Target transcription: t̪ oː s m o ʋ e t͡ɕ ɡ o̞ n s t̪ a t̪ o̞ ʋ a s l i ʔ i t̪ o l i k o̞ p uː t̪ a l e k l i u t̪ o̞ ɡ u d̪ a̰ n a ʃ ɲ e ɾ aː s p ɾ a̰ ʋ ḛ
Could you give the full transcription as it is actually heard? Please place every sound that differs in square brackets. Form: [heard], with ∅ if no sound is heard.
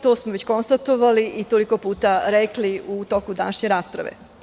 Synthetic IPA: t̪ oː s m o ʋ e t͡ɕ [k] o̞ n s t̪ a t̪ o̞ ʋ a [∅] l i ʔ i t̪ o l i k o̞ p uː t̪ a [ɾ] e k l i u t̪ o̞ [k] u d̪ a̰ n a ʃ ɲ e ɾ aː s p ɾ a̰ ʋ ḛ